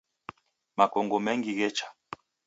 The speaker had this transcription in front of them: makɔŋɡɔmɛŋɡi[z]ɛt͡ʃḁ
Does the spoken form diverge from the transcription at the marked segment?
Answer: yes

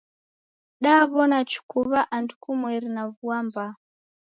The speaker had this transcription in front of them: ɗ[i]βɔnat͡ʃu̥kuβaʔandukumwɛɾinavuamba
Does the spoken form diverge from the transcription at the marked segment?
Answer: yes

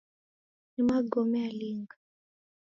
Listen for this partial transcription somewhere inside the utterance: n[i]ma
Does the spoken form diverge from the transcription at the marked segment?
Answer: no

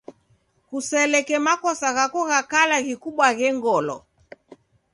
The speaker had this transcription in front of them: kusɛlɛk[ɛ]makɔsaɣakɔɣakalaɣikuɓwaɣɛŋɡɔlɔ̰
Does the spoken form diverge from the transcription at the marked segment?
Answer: no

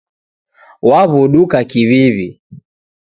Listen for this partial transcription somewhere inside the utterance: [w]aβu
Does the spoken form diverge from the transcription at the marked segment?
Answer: no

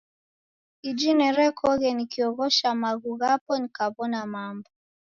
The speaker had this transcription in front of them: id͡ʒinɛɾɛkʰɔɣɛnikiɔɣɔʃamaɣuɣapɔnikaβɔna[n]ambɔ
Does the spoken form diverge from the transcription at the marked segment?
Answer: yes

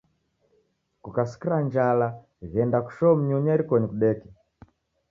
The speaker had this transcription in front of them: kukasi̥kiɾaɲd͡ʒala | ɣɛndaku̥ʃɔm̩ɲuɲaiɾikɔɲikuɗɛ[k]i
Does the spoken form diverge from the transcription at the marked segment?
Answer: no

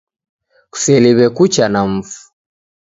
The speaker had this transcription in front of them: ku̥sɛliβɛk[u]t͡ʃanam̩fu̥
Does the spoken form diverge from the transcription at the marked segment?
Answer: no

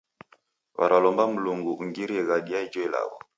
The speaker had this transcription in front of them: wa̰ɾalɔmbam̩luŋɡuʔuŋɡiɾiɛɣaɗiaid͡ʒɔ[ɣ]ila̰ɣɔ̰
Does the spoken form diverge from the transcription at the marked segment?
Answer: yes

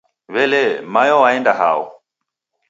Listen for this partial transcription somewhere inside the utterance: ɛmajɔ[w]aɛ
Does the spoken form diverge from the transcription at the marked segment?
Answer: no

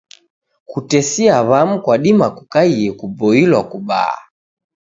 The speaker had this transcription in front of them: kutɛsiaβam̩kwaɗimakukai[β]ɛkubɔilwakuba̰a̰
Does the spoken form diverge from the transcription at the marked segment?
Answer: yes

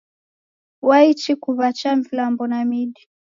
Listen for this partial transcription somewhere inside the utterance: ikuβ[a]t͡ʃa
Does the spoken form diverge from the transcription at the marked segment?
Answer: no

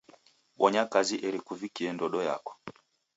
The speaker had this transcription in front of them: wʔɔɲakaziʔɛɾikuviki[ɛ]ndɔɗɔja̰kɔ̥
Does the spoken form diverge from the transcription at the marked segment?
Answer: no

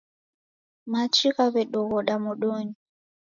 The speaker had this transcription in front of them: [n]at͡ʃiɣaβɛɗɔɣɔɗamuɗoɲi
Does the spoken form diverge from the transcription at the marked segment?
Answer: yes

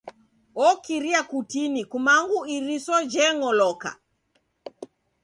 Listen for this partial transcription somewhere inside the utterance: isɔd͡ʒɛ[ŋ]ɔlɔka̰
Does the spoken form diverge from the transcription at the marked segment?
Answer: no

